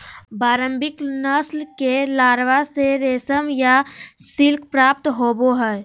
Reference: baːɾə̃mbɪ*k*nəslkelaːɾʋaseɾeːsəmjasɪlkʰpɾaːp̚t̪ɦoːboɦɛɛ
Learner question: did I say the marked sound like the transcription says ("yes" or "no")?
yes